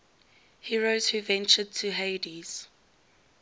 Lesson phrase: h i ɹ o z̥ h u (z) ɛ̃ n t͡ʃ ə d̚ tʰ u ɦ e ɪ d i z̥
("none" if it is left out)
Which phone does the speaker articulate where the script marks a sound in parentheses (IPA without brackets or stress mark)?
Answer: v